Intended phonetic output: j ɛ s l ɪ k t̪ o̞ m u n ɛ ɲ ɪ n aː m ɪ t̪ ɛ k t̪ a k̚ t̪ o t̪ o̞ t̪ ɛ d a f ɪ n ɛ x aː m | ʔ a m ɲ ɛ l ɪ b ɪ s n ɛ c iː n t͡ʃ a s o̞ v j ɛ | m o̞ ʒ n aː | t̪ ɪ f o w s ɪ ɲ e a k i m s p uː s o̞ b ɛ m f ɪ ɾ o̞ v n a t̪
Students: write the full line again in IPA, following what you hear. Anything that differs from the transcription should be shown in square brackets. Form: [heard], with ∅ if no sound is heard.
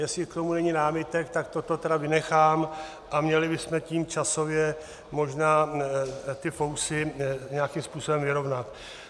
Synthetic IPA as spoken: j ɛ s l ɪ k t̪ o̞ m u n ɛ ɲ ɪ n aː m ɪ t̪ ɛ k t̪ a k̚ t̪ o t̪ o̞ t̪ ɛ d a [v] ɪ n ɛ x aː m | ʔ a m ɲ ɛ l ɪ b ɪ s [m] ɛ c iː [m] t͡ʃ a s o̞ v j ɛ | m o̞ ʒ n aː | t̪ ɪ f o w s ɪ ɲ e a k i m s p uː s o̞ b ɛ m [v] ɪ ɾ o̞ v n a t̪